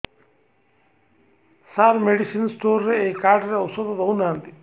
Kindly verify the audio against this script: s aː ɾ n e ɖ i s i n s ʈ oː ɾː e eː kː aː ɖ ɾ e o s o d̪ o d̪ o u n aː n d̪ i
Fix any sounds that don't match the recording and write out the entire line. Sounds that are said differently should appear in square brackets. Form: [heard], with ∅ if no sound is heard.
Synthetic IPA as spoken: s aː ɾ [m] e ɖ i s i n s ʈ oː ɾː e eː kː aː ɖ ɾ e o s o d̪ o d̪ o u n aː n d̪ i